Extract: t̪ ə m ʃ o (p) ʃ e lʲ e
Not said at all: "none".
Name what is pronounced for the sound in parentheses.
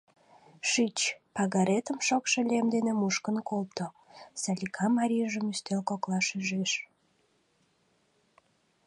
k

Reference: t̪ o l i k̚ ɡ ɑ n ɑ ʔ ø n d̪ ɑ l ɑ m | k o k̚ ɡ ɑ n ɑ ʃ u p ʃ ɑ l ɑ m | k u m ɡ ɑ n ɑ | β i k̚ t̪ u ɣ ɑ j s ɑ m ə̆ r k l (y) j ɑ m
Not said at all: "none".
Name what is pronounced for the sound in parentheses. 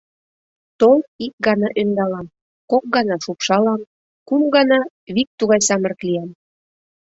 i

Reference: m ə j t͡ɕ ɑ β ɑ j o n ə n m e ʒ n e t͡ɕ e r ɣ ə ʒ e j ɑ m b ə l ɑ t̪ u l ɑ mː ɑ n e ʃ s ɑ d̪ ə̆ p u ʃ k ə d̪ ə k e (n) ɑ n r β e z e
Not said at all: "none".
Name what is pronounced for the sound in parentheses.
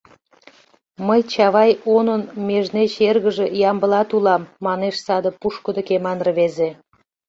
m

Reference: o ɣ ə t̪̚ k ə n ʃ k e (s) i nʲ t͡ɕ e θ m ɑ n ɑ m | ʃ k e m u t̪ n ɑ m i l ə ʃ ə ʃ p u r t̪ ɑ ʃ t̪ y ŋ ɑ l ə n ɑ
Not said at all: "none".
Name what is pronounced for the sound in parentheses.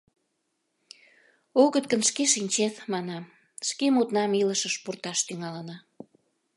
ʃ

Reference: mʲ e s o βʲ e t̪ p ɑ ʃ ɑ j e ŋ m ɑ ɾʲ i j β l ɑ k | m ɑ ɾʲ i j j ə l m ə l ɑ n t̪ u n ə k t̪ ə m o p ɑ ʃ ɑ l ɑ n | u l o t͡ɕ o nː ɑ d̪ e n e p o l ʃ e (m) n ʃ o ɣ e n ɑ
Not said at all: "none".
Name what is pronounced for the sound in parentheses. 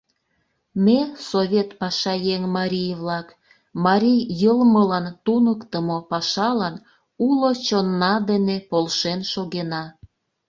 none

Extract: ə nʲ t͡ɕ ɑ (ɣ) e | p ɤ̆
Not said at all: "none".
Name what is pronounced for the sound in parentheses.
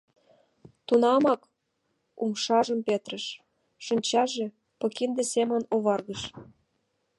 ʒ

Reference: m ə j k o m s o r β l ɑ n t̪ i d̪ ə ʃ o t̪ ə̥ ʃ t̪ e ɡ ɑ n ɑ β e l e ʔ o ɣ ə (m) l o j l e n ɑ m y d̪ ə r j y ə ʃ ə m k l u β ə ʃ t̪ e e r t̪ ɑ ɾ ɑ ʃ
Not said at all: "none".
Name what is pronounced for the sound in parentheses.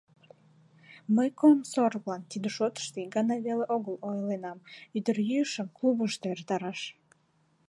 none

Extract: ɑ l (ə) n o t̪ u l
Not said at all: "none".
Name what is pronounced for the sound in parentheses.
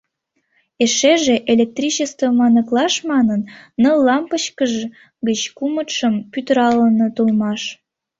ə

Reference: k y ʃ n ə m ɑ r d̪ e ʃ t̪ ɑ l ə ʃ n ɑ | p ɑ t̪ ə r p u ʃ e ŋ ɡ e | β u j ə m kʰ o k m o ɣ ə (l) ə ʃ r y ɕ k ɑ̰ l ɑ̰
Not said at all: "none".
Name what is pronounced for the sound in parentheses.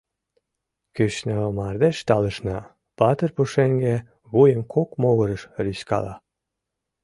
ɾ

